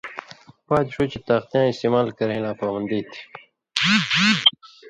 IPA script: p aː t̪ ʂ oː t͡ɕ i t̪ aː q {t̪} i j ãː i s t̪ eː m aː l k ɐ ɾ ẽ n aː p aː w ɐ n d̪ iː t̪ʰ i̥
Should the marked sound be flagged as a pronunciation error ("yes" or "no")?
no